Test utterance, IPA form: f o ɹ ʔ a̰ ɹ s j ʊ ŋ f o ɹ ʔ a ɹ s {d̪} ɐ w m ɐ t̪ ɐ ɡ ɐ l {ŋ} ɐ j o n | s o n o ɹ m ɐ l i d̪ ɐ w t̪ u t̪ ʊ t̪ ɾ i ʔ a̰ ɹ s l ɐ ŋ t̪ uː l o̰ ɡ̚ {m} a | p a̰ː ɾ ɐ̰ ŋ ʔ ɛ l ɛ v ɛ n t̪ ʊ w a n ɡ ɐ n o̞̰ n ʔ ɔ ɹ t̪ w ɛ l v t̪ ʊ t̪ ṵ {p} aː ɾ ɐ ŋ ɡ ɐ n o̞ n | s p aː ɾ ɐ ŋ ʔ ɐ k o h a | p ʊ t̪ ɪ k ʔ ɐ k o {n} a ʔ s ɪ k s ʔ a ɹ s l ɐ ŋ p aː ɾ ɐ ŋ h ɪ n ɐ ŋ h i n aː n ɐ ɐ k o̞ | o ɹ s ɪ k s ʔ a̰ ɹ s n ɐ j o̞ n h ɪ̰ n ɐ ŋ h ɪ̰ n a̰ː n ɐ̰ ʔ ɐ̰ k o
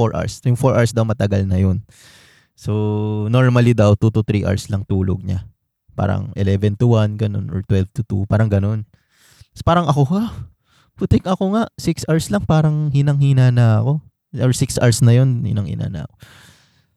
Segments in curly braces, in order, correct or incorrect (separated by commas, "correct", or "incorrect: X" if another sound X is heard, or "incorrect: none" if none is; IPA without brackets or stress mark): correct, incorrect: n, incorrect: ɲ, correct, incorrect: ŋ